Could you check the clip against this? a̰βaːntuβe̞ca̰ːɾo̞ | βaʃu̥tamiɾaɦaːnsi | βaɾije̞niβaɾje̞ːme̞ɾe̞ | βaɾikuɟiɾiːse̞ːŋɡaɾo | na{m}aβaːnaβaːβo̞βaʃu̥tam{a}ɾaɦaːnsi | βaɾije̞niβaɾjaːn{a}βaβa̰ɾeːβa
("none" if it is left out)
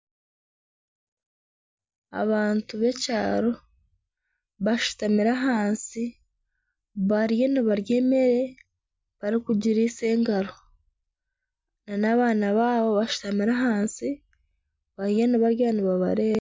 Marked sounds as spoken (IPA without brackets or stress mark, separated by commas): n, i, i